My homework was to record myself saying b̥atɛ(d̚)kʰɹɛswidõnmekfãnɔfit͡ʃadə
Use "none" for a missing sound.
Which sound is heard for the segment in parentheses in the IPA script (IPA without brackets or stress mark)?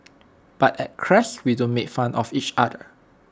t̚